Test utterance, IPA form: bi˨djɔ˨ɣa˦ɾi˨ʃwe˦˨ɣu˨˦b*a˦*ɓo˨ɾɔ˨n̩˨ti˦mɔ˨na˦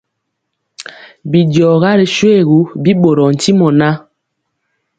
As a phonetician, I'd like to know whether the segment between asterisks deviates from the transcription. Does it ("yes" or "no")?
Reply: yes